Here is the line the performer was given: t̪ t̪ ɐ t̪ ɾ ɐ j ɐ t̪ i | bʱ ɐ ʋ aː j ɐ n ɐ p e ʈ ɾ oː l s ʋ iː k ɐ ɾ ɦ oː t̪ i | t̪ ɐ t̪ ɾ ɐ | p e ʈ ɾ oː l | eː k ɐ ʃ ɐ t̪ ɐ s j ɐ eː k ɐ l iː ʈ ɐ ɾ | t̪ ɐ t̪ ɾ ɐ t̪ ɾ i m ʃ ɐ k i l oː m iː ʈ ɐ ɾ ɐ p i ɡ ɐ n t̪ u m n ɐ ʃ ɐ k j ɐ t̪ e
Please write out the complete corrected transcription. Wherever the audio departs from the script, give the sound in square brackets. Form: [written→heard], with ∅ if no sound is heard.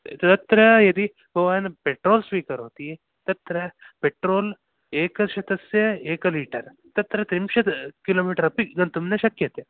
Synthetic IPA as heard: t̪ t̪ ɐ t̪ ɾ ɐ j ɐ [t̪→d̪] i | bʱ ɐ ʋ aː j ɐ n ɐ p e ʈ ɾ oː l s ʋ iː k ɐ ɾ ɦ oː t̪ i | t̪ ɐ t̪ ɾ ɐ | p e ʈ ɾ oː l | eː k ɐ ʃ ɐ t̪ ɐ s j ɐ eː k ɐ l iː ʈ ɐ ɾ | t̪ ɐ t̪ ɾ ɐ t̪ ɾ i m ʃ ɐ k i l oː m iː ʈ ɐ ɾ ɐ p i ɡ ɐ n t̪ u m n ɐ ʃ ɐ k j ɐ t̪ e